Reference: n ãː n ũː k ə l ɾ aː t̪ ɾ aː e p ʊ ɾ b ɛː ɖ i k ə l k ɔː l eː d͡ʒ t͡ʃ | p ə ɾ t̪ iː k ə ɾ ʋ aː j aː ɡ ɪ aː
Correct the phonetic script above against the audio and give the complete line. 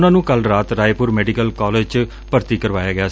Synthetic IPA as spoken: n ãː n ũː k ə l ɾ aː t̪ ɾ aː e p ʊ ɾ m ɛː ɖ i k ə l k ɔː l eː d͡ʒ t͡ʃ | p ə ɾ t̪ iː k ə ɾ ʋ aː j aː ɡ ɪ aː

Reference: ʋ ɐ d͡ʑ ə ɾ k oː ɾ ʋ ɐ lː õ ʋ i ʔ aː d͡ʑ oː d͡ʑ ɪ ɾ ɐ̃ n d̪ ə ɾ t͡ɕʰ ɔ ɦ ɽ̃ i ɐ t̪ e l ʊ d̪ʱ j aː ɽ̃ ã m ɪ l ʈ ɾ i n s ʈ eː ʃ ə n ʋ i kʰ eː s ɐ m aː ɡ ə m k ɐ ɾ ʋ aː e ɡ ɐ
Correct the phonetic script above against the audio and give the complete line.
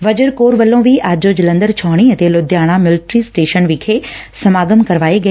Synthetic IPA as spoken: ʋ ɐ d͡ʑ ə ɾ k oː ɾ ʋ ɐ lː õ ʋ i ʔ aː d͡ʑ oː d͡ʑ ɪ l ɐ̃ n d̪ ə ɾ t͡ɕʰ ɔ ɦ ɽ̃ i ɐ t̪ e l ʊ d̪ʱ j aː ɽ̃ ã m ɪ l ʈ ɾ i s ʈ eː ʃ ə n ʋ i kʰ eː s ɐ m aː ɡ ə m k ɐ ɾ ʋ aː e ɡ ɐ

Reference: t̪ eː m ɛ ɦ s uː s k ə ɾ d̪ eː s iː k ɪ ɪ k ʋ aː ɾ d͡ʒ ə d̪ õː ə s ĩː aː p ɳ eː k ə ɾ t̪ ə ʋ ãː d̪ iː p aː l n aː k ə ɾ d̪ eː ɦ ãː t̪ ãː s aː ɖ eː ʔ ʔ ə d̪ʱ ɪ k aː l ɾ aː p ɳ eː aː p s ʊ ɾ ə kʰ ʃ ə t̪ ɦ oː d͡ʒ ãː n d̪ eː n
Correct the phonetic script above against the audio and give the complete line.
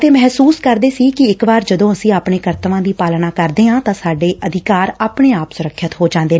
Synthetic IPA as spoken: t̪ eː m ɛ ɦ s uː s k ə ɾ d̪ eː s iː k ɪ ɪ k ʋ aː ɾ d͡ʒ ə d̪ õː ə s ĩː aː p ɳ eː k ə ɾ t̪ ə ʋ ãː d̪ iː p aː l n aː k ə ɾ d̪ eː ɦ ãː t̪ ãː s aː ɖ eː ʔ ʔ ə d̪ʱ ɪ k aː ɾ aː p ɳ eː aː p s ʊ ɾ ə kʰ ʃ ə t̪ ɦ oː d͡ʒ ãː n d̪ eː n

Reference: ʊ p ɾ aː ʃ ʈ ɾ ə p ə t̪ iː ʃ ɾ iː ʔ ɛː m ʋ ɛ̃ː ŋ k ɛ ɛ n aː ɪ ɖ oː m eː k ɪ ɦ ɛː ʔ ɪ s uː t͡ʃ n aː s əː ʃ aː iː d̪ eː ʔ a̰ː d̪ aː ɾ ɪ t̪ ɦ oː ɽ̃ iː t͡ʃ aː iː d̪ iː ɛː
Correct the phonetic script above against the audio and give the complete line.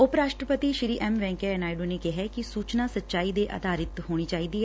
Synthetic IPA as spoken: ʊ p ɾ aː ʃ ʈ ɾ ə p ə t̪ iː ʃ ɾ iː ʔ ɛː m ʋ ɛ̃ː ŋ k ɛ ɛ n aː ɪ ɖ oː n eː k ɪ ɦ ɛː k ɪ s uː t͡ʃ n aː s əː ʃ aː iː d̪ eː ʔ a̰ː d̪ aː ɾ ɪ t̪ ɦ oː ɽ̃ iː t͡ʃ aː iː d̪ iː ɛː

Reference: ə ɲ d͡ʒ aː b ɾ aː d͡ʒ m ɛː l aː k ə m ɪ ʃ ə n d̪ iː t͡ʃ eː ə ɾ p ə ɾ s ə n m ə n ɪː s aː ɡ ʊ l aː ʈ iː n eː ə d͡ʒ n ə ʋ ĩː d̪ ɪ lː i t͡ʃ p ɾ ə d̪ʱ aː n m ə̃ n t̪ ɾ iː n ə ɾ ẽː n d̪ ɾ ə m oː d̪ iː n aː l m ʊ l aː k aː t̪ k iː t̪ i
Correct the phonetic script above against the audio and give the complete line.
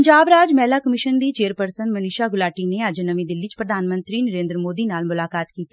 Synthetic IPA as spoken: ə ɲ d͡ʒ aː b ɾ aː d͡ʒ m ɛː l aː k ə m ɪ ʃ ə n d̪ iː t͡ʃ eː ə ɾ p ə ɾ s ə n m ə n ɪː ʃ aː ɡ ʊ l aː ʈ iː n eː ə d͡ʒ n ə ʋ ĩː d̪ ɪ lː i t͡ʃ p ɾ ə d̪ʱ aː n m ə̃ n t̪ ɾ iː n ə ɾ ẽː n d̪ ɾ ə m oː d̪ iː n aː l m ʊ l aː k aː t̪ k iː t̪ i

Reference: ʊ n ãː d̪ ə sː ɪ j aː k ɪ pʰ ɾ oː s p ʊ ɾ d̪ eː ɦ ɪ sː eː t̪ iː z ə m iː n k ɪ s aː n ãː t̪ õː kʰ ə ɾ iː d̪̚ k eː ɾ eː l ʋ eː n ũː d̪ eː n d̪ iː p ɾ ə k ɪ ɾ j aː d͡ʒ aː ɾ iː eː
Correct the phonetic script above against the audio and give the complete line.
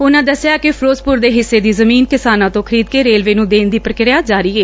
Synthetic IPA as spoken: ʊ n ãː d̪ ə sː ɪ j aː k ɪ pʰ ɾ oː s p ʊ ɾ d̪ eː ɦ ɪ sː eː d̪ iː z ə m iː n k ɪ s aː n ãː t̪ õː kʰ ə ɾ iː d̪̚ k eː ɾ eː l ʋ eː n ũː d̪ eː n d̪ iː p ɾ ə k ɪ ɾ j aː d͡ʒ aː ɾ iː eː

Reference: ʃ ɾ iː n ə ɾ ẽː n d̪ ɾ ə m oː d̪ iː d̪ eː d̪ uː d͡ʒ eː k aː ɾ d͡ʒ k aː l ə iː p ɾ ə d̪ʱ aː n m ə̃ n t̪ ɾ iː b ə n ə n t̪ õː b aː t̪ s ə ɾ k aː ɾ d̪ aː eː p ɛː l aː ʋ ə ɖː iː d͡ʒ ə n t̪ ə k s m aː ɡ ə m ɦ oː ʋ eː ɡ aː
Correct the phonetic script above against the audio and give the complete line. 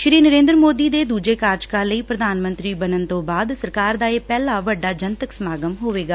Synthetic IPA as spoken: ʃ ɾ iː n ə ɾ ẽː n d̪ ɾ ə m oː d̪ iː d̪ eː d̪ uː d͡ʒ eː k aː ɾ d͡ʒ k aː l ə iː p ɾ ə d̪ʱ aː n m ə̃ n t̪ ɾ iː b ə n ə n t̪ õː b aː d̪ s ə ɾ k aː ɾ d̪ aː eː p ɛː l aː ʋ ə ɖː aː d͡ʒ ə n t̪ ə k s m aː ɡ ə m ɦ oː ʋ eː ɡ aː

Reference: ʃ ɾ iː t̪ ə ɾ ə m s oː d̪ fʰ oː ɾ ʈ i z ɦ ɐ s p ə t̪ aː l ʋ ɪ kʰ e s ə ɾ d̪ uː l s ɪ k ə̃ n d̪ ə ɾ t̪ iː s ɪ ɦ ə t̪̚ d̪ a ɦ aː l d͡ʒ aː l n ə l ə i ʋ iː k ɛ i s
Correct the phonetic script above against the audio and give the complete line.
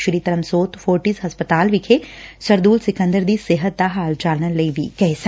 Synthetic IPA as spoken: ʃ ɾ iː t̪ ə ɾ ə m s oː t̪ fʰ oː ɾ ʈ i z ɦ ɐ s p ə t̪ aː l ʋ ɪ kʰ e s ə ɾ d̪ uː l s ɪ k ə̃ n d̪ ə ɾ d̪ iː s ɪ ɦ ə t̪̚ d̪ a ɦ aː l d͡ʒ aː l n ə l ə i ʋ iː k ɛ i s

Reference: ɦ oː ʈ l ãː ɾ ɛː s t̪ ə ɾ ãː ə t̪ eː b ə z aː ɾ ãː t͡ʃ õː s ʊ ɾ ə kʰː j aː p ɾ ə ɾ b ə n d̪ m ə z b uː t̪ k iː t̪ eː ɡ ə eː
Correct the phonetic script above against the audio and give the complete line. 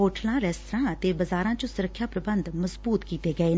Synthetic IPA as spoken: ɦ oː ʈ l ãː ɾ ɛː s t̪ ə ɾ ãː ə t̪ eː b ə z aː ɾ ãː t͡ʃ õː s ʊ ɾ ə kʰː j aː p ɾ ə b ə n d̪ m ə z b uː t̪ k iː t̪ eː ɡ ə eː

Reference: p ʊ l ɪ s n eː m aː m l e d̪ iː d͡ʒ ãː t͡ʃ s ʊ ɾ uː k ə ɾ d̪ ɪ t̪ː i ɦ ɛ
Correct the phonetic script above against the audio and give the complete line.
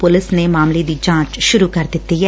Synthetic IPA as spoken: p ʊ l ɪ s n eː m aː m l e d̪ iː d͡ʒ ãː t͡ʃ ʃ ʊ ɾ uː k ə ɾ d̪ ɪ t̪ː i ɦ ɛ

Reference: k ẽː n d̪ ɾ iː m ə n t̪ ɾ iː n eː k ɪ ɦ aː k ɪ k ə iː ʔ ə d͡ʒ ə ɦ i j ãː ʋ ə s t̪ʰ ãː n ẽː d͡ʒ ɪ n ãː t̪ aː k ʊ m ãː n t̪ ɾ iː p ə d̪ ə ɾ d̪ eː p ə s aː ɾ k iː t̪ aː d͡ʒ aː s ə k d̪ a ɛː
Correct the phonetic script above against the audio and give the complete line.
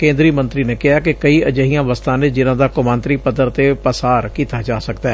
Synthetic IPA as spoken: k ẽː n d̪ ɾ iː m ə n t̪ ɾ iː n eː k ɪ ɦ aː k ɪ k ə iː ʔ ə d͡ʒ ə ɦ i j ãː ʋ ə s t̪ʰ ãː n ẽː d͡ʒ ɪ n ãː d̪ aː k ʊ m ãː n t̪ ɾ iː p ə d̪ ə ɾ t̪ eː p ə s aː ɾ k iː t̪ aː d͡ʒ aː s ə k d̪ a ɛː

